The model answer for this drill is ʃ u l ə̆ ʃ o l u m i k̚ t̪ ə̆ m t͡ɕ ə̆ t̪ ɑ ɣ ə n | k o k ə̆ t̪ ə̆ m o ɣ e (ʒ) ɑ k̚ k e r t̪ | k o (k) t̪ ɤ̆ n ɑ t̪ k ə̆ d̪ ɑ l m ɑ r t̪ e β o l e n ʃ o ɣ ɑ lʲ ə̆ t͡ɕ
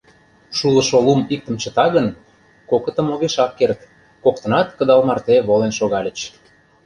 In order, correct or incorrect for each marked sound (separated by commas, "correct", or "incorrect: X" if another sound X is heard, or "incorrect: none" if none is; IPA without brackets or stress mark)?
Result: incorrect: ʃ, correct